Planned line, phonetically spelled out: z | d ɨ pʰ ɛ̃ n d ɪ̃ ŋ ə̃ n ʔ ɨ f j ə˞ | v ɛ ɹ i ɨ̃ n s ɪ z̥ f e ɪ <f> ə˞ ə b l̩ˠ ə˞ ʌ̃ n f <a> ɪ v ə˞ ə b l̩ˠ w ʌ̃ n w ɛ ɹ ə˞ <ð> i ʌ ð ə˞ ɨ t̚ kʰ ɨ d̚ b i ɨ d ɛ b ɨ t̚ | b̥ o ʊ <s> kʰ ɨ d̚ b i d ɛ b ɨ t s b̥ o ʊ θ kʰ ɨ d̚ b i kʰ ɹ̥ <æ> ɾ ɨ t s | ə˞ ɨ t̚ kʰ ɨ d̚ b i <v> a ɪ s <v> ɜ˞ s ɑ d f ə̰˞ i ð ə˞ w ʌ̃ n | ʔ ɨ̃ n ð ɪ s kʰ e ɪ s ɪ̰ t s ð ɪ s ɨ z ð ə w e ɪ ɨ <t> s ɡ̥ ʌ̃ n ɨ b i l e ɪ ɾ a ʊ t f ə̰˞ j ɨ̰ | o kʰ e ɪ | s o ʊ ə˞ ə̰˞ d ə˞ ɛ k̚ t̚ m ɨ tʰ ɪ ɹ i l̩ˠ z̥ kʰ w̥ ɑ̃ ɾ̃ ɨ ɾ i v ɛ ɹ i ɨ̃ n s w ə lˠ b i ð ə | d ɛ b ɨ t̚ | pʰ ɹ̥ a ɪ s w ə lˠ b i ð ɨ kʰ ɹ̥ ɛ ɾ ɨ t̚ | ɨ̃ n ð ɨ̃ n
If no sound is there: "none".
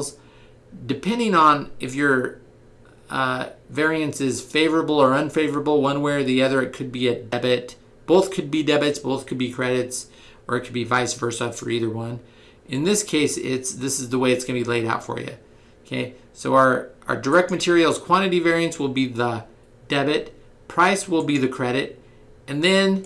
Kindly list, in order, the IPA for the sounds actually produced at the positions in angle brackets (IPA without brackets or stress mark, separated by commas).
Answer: v, e, ð, θ, ɛ, v, v, t